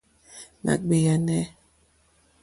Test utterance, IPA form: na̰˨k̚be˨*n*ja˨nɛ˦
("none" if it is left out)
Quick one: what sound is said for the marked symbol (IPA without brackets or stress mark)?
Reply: none